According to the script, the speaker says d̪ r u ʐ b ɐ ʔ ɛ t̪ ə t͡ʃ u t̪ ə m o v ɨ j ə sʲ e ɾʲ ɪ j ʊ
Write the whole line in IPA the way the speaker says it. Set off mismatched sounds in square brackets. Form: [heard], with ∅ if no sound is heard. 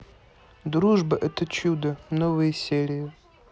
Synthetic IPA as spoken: d̪ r u ʐ b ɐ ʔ ɛ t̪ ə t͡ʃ u [d̪] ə [n] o v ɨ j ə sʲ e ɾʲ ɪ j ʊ